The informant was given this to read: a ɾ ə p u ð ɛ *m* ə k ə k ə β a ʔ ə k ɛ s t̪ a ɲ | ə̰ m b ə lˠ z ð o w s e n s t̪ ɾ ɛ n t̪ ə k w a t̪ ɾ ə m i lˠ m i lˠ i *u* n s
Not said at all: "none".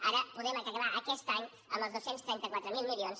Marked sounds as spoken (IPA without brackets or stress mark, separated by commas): m, o